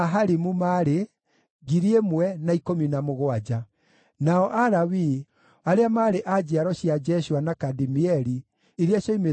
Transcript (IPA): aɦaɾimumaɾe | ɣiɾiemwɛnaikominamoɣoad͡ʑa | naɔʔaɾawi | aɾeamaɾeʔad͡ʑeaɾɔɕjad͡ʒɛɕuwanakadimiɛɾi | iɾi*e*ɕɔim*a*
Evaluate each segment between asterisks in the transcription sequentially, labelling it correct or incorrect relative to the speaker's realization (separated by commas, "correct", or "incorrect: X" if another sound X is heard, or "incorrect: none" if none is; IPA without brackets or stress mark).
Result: incorrect: a, incorrect: e